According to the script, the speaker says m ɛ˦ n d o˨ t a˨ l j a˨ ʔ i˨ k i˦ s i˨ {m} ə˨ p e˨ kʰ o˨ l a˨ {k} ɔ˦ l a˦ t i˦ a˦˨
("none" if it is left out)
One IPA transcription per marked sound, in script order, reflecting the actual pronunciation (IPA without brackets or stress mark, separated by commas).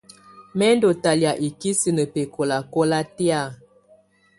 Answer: n, k